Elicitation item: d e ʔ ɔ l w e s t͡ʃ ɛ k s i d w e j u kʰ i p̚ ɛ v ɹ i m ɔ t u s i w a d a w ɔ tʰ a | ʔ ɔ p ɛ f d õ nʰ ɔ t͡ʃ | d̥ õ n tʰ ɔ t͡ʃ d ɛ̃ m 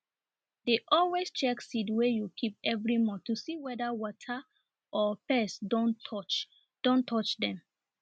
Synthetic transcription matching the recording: d e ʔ ɔ l w e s t͡ʃ ɛ k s i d w e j u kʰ i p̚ ɛ v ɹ i m ɔ t u s i w ɛ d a w ɔ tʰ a | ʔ ɔ p ɛ s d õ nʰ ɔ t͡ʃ | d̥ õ n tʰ ɔ t͡ʃ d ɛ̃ m